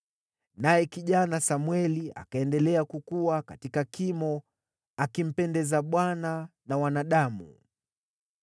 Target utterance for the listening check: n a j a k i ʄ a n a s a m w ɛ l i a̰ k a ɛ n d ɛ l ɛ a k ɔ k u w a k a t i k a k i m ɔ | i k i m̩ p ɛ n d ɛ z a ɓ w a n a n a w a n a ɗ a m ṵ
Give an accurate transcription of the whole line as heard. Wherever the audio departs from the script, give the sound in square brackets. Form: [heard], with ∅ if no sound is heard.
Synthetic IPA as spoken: n a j [ɛ] k i ʄ a n a s a m w ɛ l i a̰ k a ɛ n d ɛ l ɛ a k [u] k u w a k a t i k a k i m ɔ | [a] k i m̩ p ɛ n d ɛ z a ɓ w a n a n a w a n a ɗ a m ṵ